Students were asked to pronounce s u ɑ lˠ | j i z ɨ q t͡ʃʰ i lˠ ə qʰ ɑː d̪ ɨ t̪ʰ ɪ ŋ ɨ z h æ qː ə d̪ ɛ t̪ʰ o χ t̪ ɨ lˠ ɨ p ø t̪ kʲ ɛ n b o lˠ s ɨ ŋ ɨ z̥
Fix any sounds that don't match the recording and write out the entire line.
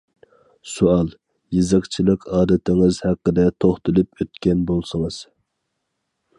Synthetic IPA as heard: s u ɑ lˠ | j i z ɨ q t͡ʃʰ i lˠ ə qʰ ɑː d̪ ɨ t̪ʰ ɪ ŋ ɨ z h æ qː ə d̪ ɛ t̪ʰ o χ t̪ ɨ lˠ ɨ p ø t̪ kʲ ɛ n b o lˠ s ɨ ŋ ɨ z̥